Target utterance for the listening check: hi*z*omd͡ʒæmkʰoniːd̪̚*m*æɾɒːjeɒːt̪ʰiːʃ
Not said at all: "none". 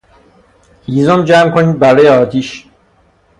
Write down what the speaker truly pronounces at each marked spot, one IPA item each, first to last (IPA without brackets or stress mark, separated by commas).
z, b